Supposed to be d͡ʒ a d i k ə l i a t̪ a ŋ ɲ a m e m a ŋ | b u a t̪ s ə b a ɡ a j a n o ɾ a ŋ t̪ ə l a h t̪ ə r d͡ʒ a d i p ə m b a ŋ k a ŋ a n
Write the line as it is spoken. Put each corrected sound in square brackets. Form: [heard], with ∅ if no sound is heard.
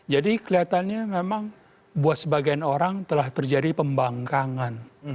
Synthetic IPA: d͡ʒ a d i k ə l i a t̪ a [n] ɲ a m e m a ŋ | b u a t̪ s ə b a ɡ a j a n o ɾ a ŋ t̪ ə l a h t̪ ə r d͡ʒ a d i p ə m b a ŋ k a ŋ a n